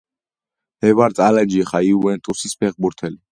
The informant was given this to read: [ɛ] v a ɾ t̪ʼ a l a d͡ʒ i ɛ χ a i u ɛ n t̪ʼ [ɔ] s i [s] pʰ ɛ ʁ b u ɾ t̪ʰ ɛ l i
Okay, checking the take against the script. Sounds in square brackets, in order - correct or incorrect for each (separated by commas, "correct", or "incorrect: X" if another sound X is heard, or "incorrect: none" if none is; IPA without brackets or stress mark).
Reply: correct, incorrect: u, correct